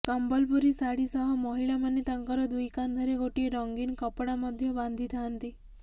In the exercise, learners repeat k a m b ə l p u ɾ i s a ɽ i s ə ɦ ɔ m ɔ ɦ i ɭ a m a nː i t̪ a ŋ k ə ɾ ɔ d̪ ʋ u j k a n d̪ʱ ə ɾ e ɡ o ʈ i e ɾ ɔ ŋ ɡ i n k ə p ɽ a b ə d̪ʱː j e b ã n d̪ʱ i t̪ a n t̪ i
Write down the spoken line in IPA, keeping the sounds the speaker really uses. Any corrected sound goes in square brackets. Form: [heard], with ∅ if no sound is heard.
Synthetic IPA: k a m b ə l p u ɾ i s a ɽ i s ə ɦ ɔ m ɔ ɦ i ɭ a m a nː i t̪ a ŋ k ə ɾ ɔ d̪ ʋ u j k a n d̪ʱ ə ɾ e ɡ o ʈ i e ɾ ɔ ŋ ɡ i n k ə p ɽ a [m] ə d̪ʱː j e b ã n d̪ʱ i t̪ a n t̪ i